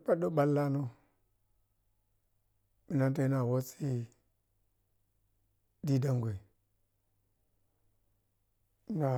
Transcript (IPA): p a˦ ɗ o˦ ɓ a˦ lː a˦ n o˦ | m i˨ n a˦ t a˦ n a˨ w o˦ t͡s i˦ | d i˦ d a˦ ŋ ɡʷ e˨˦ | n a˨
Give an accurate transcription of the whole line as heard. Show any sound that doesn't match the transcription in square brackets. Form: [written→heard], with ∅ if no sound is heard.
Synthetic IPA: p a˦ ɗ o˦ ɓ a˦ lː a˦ n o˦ | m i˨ n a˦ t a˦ n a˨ w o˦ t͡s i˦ | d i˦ d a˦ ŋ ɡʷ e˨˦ | n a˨

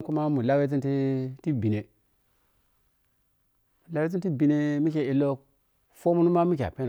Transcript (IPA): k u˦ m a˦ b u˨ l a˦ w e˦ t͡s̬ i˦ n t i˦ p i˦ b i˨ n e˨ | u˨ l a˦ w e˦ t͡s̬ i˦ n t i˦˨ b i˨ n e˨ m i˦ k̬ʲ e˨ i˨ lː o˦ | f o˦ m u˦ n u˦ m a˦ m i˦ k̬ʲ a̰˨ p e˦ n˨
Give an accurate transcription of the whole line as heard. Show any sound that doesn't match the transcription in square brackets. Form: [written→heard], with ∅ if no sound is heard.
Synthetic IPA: k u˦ m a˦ [b→m] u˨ l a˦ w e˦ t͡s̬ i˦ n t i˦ [p→t] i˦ b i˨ n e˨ | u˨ l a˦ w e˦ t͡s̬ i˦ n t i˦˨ b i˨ n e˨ m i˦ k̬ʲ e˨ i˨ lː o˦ | f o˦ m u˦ n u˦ m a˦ m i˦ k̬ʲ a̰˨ p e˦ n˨

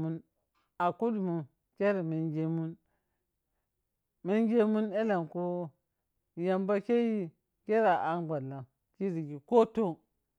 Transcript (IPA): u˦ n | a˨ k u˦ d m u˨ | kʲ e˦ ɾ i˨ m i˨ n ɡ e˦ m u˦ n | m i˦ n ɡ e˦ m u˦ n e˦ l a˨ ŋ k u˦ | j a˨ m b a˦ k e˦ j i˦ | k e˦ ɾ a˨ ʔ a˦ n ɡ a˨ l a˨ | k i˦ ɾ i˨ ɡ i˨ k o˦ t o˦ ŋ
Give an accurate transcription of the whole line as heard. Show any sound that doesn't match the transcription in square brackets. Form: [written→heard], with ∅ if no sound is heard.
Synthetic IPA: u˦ n | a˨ k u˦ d m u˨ | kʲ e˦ ɾ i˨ m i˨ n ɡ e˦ m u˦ n | m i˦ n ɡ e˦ m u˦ n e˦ l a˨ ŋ k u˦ | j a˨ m b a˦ k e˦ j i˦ | k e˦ ɾ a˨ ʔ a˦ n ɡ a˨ l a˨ | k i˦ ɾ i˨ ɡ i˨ k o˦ t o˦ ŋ

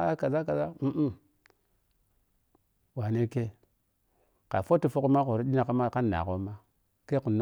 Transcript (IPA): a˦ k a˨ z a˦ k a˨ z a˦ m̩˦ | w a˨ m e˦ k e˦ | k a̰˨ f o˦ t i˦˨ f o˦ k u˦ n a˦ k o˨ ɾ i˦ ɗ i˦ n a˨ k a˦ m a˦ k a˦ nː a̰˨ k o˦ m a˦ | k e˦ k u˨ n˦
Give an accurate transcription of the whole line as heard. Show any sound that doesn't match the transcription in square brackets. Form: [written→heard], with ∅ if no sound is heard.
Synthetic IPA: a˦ k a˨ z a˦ k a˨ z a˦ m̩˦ | w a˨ [m→n] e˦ k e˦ | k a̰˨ f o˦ t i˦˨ f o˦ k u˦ [n→m] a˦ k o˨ ɾ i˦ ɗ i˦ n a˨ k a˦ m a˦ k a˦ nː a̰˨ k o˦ m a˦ | k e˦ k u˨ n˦

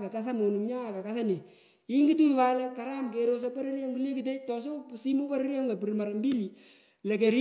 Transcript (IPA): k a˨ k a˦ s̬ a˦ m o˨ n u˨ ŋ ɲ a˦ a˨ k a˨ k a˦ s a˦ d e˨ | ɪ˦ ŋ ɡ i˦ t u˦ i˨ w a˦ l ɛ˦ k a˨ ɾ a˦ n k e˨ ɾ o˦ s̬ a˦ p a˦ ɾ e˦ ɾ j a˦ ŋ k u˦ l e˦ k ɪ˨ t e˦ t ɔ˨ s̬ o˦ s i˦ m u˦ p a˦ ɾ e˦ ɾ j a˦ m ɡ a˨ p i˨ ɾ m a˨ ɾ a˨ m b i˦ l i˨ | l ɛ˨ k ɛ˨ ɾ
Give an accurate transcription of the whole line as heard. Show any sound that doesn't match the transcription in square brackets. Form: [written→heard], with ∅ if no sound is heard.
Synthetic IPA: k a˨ k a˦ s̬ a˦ m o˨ n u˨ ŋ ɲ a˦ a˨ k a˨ k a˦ s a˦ [d→n] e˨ | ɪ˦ ŋ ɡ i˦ t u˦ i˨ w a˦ l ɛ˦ k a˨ ɾ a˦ [n→m] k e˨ ɾ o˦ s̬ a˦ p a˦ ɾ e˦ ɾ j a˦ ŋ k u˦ l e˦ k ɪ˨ t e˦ t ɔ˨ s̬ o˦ s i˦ m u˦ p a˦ ɾ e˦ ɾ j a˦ [m→ŋ] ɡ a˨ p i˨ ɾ m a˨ ɾ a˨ m b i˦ l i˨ | l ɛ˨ k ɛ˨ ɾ

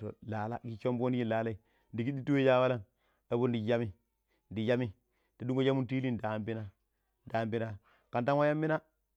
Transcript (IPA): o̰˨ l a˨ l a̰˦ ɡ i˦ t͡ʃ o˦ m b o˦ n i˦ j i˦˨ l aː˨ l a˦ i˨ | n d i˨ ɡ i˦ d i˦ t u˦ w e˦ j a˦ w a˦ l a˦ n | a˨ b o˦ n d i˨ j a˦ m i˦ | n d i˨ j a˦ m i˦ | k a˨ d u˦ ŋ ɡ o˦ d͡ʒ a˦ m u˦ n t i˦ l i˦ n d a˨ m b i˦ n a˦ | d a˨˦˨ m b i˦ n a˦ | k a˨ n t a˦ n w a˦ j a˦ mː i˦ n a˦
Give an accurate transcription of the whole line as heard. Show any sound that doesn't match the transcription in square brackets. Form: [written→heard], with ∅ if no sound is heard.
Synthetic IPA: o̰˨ l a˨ l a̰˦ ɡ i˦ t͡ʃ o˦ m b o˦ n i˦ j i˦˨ l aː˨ l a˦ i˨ | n d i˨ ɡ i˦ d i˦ t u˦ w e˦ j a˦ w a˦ l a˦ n | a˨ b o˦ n d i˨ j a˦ m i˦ | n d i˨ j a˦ m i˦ | [k→t] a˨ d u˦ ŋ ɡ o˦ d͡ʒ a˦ m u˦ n t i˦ l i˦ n d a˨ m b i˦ n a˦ | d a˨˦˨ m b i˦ n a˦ | k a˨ n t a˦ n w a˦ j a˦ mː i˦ n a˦

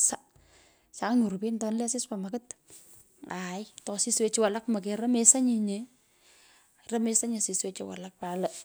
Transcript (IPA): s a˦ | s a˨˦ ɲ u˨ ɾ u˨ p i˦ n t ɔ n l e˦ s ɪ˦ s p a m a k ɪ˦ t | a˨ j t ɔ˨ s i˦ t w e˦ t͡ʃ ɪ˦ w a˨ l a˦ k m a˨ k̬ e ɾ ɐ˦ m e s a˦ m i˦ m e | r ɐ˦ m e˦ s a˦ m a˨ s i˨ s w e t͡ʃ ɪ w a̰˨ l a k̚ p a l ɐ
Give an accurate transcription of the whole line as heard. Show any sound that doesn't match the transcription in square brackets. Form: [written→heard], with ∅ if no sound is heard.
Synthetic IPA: s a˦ | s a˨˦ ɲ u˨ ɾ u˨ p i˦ n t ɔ n l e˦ s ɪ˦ s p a m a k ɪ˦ t | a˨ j t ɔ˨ s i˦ [t→s] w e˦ t͡ʃ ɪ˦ w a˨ l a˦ k m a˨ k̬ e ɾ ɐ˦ m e s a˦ [m→ɲ] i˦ [m→ɲ] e | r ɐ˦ m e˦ s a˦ [m→ɲ] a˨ s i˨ s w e t͡ʃ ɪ w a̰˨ l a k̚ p a l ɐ

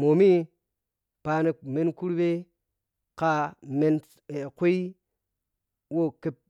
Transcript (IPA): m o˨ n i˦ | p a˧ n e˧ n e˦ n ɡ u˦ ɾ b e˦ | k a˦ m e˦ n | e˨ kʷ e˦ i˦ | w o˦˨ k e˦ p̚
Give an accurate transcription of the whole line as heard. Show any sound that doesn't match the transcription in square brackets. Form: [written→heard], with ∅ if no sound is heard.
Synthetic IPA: m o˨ [n→m] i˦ | p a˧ n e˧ [n→m] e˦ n [ɡ→k] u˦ ɾ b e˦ | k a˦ m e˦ n | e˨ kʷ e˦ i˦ | w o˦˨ k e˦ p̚

